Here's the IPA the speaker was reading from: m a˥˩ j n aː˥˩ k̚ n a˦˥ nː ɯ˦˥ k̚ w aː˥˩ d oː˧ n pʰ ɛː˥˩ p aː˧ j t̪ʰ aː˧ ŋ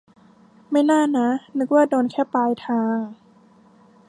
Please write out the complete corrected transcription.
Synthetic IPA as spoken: m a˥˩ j n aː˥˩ n a˦˥ n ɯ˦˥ k̚ w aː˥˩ d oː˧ n kʰ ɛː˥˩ p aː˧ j t̪ʰ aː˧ ŋ